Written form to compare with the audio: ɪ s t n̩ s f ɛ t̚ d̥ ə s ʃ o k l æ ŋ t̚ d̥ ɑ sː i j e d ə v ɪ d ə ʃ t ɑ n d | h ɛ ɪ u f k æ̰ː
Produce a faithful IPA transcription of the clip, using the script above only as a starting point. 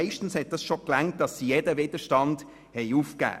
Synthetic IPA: ɪ ʃ t n̩ s h ɛ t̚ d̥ ɑ s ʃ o k l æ ŋ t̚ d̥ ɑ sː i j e d ə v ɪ d ə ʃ t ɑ n d | h ɛ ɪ u f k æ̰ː